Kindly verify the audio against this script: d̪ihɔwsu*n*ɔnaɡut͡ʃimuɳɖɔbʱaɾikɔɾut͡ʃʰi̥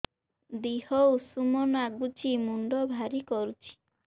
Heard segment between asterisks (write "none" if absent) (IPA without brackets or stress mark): m